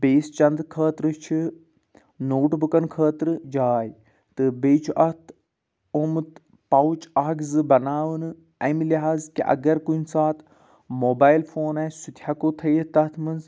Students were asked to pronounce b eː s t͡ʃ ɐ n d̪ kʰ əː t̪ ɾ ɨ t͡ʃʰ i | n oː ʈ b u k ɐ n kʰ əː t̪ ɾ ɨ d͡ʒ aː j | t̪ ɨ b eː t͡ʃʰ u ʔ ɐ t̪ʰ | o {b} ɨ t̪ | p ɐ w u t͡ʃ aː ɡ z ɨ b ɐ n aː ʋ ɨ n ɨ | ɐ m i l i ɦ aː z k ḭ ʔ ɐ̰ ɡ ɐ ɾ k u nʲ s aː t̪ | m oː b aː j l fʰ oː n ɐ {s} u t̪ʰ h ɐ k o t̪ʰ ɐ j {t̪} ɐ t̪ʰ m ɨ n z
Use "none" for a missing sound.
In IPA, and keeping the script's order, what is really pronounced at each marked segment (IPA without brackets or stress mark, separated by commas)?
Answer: m, s, t̪